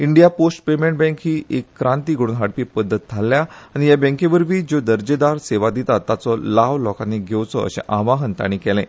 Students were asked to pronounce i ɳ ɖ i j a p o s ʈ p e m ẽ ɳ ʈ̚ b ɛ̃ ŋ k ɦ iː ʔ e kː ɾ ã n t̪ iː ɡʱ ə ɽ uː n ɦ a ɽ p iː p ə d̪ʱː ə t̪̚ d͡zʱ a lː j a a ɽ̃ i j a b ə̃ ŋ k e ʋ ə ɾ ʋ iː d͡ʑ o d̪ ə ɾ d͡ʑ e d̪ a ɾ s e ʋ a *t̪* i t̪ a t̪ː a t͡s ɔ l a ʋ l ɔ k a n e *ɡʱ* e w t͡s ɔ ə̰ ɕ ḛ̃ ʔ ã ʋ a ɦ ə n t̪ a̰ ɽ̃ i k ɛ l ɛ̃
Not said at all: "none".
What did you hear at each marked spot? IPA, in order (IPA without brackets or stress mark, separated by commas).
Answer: d̪, ɡʱ